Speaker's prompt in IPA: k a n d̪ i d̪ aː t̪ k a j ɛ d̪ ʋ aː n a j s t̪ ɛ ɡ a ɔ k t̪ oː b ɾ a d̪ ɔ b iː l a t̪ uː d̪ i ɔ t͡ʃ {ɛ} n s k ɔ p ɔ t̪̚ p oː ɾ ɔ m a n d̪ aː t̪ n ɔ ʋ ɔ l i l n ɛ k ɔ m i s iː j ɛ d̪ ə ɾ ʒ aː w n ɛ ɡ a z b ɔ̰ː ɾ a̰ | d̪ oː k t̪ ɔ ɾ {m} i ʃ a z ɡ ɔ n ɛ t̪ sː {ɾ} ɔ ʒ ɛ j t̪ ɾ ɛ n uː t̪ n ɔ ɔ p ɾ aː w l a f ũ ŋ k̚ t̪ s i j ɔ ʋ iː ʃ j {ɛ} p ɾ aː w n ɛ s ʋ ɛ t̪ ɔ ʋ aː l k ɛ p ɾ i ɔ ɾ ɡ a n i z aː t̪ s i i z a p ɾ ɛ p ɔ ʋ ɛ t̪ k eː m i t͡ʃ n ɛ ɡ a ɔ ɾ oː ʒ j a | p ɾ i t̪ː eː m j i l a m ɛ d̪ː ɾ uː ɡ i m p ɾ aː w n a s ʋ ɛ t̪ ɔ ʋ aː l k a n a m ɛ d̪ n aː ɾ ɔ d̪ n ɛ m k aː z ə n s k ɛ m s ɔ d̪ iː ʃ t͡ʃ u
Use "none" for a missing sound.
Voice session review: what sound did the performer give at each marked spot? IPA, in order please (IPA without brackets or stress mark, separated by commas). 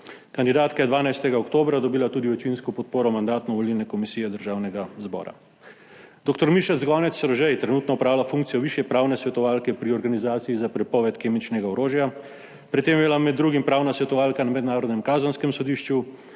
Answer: i, m, ɾ, ɛ